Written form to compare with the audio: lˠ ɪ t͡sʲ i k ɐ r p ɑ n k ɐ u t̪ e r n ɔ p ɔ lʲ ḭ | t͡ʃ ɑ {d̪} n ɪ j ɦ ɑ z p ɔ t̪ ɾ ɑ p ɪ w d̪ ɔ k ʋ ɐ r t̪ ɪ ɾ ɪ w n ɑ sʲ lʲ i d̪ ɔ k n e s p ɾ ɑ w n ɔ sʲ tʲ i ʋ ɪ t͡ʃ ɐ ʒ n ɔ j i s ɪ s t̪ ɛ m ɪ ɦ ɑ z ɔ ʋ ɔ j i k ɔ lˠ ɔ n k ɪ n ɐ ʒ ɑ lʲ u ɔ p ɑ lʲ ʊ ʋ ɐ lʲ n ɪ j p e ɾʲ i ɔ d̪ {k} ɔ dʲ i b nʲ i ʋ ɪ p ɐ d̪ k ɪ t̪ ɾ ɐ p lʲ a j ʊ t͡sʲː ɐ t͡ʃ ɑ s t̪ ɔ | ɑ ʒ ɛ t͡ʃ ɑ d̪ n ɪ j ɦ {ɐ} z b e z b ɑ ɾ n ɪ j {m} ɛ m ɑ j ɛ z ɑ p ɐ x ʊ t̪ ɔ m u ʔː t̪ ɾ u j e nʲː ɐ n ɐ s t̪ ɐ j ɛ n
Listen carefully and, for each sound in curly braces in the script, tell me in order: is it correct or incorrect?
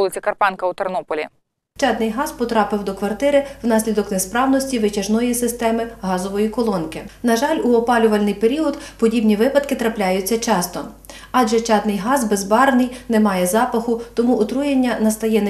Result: correct, incorrect: p, incorrect: ɑ, incorrect: n

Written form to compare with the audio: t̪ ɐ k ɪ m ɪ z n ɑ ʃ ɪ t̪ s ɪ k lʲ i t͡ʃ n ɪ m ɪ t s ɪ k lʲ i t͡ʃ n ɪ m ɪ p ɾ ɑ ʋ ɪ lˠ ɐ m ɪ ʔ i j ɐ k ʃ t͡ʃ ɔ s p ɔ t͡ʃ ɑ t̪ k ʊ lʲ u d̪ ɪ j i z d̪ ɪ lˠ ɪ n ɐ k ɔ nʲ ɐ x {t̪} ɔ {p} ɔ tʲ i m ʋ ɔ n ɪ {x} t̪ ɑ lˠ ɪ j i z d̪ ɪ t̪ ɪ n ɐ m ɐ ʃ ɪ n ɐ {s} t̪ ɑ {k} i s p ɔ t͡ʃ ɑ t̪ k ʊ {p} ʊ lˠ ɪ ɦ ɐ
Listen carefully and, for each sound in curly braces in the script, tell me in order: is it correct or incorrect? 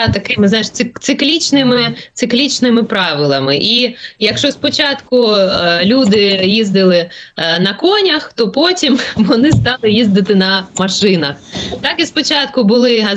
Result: correct, correct, incorrect: s, incorrect: x, correct, incorrect: b

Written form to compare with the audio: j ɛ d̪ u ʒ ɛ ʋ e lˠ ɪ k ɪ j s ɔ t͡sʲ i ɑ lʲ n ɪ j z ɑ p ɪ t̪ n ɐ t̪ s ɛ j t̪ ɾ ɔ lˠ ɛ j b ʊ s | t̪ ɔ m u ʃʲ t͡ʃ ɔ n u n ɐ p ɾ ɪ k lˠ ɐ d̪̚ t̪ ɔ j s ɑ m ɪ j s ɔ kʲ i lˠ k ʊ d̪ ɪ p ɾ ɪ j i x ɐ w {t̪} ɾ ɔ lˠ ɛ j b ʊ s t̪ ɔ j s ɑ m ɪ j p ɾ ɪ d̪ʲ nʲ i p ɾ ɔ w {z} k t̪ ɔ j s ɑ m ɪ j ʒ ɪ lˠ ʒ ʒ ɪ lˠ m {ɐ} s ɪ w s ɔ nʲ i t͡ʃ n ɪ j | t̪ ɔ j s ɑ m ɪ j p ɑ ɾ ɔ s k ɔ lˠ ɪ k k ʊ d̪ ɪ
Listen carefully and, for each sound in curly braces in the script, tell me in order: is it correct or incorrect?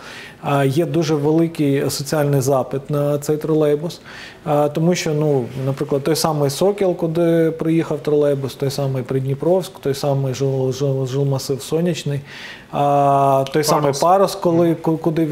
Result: correct, incorrect: s, correct

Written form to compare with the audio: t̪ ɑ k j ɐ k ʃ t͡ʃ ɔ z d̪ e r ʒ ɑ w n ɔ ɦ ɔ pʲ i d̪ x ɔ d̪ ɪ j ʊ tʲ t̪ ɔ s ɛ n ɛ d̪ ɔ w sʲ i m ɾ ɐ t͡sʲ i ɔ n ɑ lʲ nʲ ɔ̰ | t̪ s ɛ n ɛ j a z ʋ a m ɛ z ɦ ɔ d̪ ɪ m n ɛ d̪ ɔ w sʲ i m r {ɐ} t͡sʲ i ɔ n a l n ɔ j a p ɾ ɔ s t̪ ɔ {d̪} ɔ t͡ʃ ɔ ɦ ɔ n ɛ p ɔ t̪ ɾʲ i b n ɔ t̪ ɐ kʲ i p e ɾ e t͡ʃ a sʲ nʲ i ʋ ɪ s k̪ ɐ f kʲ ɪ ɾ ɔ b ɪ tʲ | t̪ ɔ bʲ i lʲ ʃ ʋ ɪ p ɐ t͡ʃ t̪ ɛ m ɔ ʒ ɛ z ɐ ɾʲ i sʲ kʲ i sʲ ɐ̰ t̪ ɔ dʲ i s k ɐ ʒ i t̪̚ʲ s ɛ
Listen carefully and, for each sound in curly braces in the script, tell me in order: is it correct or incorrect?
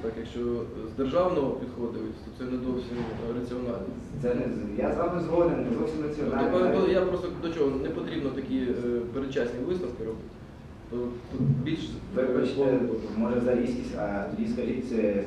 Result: correct, correct

